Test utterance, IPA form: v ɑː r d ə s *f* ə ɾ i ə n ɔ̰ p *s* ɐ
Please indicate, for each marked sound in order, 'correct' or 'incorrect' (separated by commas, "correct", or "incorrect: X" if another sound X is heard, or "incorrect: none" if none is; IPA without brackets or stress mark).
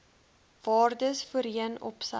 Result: correct, correct